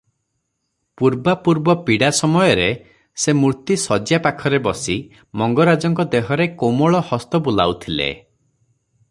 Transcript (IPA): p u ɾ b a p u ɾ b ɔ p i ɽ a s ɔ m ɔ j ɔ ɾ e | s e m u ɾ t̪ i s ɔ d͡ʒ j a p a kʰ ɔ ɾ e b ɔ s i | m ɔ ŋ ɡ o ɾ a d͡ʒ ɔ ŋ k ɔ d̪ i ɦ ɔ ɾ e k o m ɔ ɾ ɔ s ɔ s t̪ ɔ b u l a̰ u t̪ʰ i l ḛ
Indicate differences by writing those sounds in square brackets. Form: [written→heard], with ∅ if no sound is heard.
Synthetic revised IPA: p u ɾ b a p u ɾ b ɔ p i ɽ a s ɔ m ɔ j ɔ ɾ e | s e m u ɾ t̪ i s ɔ d͡ʒ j a p a kʰ ɔ ɾ e b ɔ s i | m ɔ ŋ ɡ [o→ɔ] ɾ a d͡ʒ ɔ ŋ k ɔ d̪ [i→e] ɦ ɔ ɾ e k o m ɔ [ɾ→ɭ] ɔ [s→h] ɔ s t̪ ɔ b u l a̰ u t̪ʰ i l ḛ